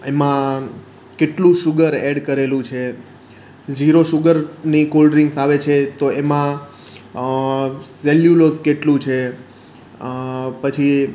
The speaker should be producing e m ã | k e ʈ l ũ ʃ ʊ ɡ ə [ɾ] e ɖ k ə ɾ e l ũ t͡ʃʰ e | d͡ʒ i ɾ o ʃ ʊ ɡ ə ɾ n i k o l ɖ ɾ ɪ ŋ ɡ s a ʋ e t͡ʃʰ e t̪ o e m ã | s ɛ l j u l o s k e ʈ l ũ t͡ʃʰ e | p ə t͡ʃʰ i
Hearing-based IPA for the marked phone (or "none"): ɾ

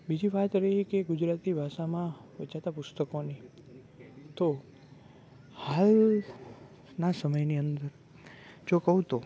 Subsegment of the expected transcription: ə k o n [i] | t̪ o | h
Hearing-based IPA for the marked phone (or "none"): i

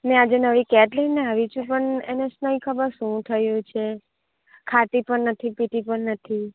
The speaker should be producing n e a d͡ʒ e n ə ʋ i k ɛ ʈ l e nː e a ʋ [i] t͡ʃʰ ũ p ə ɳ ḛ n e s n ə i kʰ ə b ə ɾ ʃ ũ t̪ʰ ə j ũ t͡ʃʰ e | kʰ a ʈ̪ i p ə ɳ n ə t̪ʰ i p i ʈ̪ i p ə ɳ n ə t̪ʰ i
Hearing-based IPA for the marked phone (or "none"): i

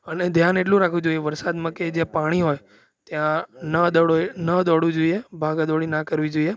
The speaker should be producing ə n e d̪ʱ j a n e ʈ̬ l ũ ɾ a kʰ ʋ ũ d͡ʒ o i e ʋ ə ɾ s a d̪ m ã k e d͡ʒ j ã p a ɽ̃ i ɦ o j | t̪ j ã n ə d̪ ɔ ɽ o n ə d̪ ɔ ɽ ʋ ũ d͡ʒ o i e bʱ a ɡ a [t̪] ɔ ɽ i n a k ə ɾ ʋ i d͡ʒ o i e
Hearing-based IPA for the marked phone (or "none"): d̪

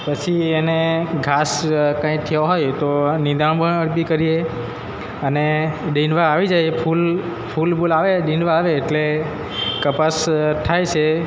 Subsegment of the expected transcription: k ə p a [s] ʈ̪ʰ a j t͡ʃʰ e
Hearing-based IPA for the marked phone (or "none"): s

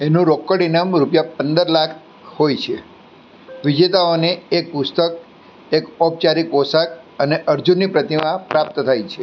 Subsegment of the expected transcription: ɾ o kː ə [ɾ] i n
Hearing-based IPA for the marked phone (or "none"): ɽ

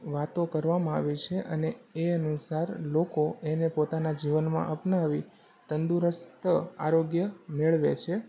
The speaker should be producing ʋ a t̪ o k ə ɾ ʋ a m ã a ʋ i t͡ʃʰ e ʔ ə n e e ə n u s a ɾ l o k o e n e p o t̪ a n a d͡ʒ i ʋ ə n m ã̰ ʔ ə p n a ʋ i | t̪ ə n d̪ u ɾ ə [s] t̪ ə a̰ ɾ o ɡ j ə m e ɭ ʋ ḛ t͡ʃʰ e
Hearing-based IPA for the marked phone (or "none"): s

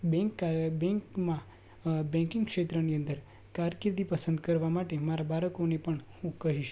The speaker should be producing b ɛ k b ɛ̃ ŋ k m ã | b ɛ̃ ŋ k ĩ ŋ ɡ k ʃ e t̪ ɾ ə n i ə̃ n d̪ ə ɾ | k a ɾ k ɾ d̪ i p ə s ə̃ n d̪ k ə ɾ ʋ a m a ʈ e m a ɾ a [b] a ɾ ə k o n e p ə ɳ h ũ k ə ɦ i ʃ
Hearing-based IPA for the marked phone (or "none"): b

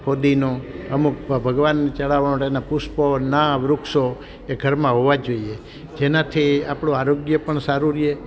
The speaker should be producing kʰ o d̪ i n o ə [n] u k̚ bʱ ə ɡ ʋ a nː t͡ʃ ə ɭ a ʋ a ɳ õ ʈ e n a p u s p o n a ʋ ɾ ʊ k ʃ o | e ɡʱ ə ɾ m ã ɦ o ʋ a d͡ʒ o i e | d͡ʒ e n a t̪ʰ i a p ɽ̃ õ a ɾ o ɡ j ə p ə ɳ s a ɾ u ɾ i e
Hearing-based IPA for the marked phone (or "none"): m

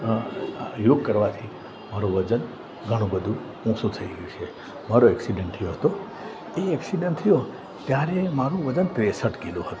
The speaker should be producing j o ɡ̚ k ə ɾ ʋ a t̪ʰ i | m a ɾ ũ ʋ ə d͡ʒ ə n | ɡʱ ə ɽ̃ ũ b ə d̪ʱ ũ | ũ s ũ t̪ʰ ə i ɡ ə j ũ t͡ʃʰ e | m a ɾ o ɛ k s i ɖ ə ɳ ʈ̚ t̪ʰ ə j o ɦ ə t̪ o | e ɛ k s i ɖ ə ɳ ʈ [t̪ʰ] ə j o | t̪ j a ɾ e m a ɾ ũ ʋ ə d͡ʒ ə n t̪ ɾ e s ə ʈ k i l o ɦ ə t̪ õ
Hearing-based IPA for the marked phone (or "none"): t̪ʰ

